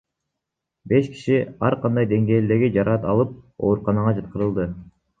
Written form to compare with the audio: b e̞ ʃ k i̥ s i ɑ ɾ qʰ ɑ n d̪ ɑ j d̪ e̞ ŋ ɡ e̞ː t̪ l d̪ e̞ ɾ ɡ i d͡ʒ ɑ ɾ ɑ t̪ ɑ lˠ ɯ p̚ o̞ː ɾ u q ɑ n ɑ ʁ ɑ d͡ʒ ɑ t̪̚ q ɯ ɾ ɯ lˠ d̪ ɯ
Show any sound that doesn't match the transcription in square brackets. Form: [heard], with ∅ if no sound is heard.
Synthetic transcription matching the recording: b e̞ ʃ k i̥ [ʃ] i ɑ ɾ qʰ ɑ n d̪ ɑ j d̪ e̞ ŋ ɡ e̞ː [∅] l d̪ e̞ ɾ ɡ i d͡ʒ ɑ ɾ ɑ t̪ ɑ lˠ ɯ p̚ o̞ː ɾ u q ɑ n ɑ ʁ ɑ d͡ʒ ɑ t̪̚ q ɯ ɾ ɯ lˠ d̪ ɯ